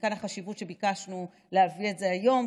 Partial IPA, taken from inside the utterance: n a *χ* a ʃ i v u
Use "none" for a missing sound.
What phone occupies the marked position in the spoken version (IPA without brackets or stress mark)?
χ